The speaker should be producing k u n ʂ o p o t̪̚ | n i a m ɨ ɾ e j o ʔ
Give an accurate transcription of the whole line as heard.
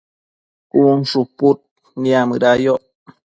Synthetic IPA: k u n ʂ u p u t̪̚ | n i a m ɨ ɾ a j o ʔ